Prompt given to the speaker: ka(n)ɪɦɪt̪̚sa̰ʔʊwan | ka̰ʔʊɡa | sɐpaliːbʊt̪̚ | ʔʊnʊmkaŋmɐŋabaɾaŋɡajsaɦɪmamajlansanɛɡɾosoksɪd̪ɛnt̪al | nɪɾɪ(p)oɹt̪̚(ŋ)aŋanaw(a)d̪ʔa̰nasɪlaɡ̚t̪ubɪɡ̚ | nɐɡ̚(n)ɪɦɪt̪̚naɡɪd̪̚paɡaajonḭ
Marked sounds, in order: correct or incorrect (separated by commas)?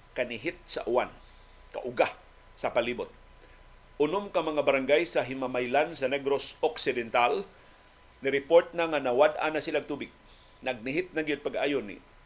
correct, correct, incorrect, correct, correct